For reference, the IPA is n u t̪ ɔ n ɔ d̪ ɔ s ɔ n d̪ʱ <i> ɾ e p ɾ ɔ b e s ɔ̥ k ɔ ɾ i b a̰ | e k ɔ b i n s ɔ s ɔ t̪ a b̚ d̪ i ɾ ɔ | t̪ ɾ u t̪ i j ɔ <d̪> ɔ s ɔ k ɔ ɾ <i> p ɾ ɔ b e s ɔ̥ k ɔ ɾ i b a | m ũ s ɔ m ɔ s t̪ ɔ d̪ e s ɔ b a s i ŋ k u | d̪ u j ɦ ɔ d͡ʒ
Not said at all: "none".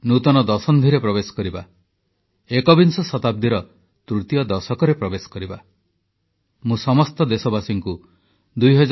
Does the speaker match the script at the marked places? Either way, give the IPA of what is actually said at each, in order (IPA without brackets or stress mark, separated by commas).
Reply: i, d̪, e